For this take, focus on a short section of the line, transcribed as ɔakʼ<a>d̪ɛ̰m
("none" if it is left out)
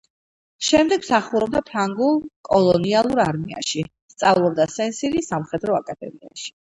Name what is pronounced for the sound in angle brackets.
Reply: a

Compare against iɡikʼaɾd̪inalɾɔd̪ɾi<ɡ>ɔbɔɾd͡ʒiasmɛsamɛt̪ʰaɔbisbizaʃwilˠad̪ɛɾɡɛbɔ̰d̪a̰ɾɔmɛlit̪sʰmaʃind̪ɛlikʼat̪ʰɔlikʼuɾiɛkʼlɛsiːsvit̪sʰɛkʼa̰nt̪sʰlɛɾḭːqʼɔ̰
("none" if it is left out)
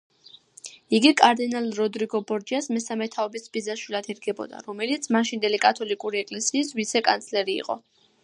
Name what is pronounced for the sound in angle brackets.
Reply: ɡ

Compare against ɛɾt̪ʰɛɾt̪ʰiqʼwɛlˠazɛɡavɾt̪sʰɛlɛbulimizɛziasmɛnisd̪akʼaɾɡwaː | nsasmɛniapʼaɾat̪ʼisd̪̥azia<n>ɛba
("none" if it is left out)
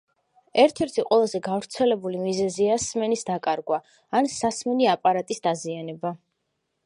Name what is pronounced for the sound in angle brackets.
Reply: n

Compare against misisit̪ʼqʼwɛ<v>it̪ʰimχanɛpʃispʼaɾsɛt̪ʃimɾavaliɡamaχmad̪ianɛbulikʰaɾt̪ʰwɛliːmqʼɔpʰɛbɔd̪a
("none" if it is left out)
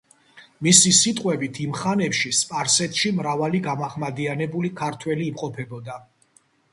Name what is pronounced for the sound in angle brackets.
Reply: b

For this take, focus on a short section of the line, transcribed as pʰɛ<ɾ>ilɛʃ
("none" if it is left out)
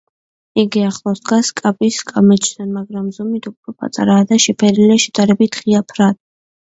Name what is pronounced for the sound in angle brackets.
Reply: ɾ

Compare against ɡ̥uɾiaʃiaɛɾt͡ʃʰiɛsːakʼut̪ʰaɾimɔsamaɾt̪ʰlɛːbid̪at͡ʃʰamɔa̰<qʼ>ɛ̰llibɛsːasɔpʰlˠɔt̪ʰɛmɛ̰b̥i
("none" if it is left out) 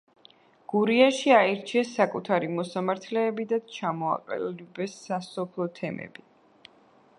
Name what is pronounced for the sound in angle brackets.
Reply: qʼ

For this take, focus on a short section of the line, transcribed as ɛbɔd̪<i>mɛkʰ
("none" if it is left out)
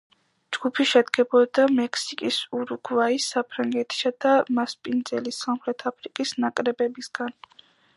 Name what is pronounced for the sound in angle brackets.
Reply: a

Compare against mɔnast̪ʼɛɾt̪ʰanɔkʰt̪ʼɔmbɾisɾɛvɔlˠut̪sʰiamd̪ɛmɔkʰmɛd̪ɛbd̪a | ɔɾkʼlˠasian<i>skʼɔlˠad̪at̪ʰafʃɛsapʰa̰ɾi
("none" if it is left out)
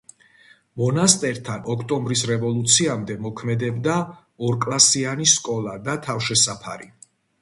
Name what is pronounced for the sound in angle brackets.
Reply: i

